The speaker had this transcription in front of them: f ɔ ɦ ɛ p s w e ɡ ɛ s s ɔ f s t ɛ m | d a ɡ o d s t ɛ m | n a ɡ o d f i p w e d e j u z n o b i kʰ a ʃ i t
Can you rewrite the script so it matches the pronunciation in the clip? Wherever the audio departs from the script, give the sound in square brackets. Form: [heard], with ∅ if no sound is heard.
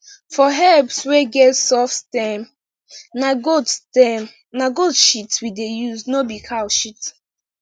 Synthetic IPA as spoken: f ɔ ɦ ɛ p s w e ɡ ɛ [t] s ɔ f s t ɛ m | [n] a ɡ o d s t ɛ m | n a ɡ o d [ʃ] i [t] w [i] d e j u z n o b i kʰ a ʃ i t

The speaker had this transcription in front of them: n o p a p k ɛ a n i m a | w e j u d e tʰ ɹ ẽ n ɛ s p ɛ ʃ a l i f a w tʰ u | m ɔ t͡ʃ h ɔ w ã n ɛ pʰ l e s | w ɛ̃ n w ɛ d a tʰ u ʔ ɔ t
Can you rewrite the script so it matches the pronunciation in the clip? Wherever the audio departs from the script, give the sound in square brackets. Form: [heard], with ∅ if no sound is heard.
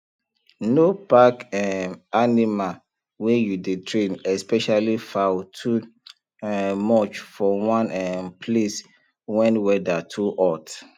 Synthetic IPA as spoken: n o p a [∅] k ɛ a n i m a | w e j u d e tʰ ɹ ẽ n ɛ s p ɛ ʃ a l i f a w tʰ u | m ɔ t͡ʃ [f] ɔ w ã n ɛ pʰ l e s | w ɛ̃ n w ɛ d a tʰ u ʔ ɔ t

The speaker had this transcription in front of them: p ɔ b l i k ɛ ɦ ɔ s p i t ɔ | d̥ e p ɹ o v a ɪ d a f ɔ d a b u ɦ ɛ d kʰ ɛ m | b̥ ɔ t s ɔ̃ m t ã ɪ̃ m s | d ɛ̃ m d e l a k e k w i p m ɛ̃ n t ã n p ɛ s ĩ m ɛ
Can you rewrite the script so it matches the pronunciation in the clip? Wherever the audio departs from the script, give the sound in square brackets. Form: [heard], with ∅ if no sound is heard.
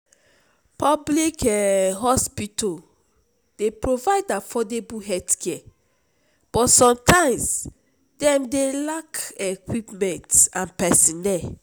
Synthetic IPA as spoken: p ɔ b l i k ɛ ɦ ɔ s p i t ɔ | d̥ e p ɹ o v a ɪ d a f ɔ d [e] b u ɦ ɛ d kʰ ɛ [∅] | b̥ ɔ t s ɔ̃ m t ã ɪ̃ m s | d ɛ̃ m d e l a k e k w i p m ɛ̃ n t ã n p ɛ s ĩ [n] ɛ

